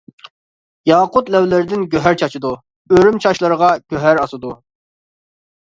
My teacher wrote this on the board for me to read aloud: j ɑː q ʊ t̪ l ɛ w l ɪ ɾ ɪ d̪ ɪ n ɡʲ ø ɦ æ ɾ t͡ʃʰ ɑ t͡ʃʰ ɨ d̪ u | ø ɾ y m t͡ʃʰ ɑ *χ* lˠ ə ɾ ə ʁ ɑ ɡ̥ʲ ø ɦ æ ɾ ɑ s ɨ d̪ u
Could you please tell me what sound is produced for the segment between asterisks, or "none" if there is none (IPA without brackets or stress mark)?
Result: ʃ